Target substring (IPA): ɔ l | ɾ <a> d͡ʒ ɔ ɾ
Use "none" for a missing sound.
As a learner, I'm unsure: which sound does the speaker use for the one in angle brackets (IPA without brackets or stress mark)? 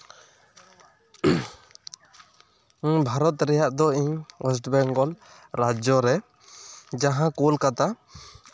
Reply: a